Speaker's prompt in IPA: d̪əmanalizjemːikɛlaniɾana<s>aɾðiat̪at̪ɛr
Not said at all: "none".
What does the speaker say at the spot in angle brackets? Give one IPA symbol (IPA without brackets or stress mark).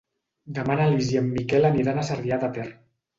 s